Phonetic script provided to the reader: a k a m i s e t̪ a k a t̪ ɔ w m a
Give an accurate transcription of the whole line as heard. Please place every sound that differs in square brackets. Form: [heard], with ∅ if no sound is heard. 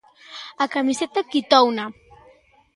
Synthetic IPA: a k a m i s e t̪ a k [i] t̪ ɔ w [n] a